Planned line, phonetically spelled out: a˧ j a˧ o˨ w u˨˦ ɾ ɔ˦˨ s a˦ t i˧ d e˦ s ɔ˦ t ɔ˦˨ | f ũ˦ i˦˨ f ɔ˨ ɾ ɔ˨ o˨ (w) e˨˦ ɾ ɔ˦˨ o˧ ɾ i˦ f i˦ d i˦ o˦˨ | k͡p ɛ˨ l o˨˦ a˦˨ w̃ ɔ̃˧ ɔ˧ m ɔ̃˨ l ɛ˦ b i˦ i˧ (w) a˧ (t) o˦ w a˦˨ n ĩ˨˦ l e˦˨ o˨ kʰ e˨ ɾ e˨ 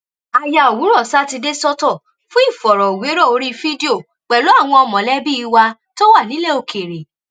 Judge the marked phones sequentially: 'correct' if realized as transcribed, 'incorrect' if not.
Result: correct, correct, correct

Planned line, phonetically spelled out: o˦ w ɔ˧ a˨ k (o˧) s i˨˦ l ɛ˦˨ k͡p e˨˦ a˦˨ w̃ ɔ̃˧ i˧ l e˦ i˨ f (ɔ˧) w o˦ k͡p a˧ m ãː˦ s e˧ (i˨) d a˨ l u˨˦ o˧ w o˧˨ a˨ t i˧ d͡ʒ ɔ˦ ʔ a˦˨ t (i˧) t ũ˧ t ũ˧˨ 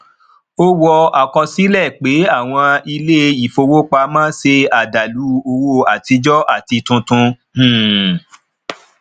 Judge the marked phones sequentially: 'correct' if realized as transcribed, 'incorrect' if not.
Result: incorrect, incorrect, incorrect, correct

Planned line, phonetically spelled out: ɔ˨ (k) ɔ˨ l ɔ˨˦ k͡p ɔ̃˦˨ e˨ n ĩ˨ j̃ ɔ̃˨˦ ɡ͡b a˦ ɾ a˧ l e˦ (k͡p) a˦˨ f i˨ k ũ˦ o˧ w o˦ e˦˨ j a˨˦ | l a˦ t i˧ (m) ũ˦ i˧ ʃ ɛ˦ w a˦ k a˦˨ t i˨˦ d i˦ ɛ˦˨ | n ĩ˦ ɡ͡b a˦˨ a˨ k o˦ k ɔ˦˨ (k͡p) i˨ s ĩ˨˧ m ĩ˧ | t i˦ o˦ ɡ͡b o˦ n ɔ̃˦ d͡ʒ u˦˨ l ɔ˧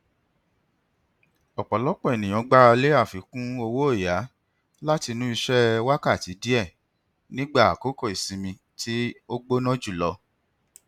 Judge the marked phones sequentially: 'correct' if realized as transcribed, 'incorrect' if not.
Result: incorrect, incorrect, incorrect, incorrect

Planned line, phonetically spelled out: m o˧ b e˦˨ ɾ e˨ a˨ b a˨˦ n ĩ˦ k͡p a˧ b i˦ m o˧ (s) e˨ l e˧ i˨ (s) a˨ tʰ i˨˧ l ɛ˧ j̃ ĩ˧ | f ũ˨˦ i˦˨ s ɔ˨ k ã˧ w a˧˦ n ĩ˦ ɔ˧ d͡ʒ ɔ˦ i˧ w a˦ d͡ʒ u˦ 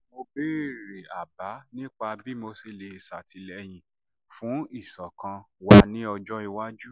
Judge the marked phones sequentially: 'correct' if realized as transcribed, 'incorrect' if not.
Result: correct, correct

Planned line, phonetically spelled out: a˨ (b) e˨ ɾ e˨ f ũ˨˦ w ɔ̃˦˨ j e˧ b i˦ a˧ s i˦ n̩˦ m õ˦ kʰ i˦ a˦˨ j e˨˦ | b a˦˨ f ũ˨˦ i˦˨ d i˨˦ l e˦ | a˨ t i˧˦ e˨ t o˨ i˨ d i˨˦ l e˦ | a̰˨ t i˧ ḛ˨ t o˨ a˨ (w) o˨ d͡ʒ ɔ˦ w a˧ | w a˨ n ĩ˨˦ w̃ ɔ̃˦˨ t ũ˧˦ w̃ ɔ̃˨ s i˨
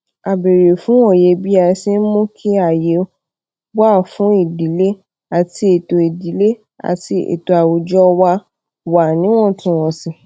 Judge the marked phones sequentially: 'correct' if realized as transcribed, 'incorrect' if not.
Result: correct, correct

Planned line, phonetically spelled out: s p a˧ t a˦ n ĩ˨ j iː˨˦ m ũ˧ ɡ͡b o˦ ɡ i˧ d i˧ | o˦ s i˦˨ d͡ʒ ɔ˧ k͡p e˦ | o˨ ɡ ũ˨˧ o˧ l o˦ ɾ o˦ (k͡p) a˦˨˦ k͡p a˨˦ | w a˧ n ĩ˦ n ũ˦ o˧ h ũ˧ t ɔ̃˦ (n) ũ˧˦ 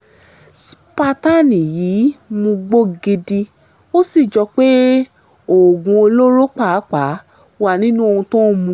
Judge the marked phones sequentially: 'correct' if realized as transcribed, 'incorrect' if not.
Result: correct, incorrect

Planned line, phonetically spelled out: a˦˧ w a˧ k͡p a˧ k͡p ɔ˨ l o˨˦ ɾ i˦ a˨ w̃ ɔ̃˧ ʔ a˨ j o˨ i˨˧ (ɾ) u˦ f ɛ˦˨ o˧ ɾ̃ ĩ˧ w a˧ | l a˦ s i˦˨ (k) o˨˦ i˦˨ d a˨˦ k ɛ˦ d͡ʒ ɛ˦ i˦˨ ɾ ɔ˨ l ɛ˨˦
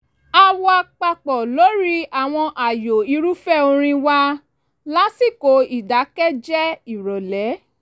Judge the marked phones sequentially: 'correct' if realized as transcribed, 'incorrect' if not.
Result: correct, correct

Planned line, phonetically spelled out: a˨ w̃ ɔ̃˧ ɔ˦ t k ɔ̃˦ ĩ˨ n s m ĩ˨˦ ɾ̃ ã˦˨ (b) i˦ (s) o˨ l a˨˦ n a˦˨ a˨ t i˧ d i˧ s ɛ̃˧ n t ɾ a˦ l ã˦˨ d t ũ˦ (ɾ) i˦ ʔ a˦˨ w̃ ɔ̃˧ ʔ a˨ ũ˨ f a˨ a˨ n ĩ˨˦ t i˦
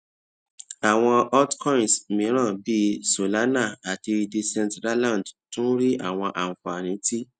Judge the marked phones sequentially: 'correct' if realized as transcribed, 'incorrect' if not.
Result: correct, correct, correct

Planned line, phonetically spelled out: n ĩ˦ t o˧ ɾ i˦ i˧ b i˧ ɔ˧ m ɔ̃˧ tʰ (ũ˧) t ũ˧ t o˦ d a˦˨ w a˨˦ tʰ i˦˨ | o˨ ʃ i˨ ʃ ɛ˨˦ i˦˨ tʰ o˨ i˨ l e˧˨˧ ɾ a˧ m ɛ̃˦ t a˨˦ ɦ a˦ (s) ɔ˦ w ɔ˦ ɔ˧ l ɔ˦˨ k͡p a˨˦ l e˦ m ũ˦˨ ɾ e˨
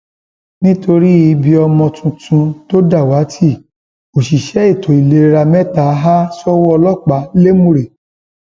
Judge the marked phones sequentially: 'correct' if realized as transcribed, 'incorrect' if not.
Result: correct, correct

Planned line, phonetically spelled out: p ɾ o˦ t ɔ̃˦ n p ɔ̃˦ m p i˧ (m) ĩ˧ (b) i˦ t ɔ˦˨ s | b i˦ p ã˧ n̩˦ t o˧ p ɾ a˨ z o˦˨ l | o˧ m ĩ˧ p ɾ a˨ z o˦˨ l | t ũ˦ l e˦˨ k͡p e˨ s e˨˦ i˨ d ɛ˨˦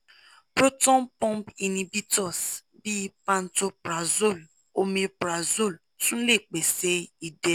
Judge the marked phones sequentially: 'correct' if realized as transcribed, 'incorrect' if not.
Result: incorrect, correct

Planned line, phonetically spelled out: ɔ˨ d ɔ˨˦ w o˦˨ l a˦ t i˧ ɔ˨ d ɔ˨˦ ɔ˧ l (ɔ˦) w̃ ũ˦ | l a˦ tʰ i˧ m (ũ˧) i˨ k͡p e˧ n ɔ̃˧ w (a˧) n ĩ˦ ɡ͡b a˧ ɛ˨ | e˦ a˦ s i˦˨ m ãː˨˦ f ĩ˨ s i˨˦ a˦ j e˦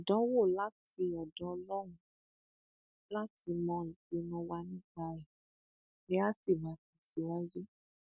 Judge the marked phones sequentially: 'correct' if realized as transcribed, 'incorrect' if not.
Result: correct, incorrect, correct

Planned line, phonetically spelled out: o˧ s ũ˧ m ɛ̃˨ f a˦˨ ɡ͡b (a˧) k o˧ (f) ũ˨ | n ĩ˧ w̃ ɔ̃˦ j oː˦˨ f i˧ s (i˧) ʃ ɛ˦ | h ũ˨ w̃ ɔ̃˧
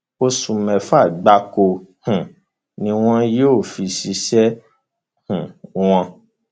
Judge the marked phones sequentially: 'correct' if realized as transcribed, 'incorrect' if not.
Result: correct, incorrect, correct

